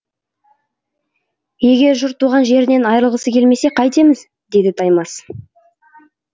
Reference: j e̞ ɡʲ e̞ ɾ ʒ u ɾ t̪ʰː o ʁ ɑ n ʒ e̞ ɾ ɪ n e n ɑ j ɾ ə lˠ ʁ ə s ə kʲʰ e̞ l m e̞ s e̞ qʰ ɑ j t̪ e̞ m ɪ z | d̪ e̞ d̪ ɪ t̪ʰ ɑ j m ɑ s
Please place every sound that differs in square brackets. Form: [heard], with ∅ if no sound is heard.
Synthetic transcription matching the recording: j e̞ ɡʲ e̞ ɾ ʒ [ʊ] ɾ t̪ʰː [u] ʁ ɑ n ʒ e̞ ɾ ɪ n e n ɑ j ɾ ə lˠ ʁ ə s ə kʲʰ e̞ l m e̞ s e̞ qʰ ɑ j t̪ e̞ m ɪ z | d̪ e̞ d̪ ɪ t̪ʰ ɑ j m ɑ s